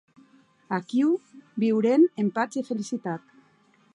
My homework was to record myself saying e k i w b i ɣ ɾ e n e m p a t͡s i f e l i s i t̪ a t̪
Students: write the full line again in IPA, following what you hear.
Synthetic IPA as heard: a k i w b i w ɾ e n e m p a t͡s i f e l i s i t̪ a t̪